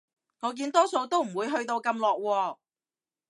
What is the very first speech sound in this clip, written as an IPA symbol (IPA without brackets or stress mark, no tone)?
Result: ŋ